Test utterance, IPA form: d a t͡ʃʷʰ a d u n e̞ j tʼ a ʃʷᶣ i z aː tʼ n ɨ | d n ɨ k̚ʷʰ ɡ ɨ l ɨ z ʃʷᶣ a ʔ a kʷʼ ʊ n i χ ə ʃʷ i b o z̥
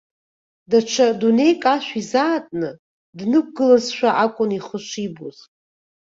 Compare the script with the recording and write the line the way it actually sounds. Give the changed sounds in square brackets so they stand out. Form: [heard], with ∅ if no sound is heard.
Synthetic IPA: d a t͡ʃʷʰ a d u n e̞ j [kʼ] a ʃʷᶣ i z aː tʼ n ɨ | d n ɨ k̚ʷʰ ɡ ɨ l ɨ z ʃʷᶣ a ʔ a kʷʼ ʊ n i χ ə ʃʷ i b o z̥